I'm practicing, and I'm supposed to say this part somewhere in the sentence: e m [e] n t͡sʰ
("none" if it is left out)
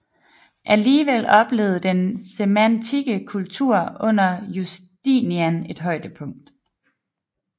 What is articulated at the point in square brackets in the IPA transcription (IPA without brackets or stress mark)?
æ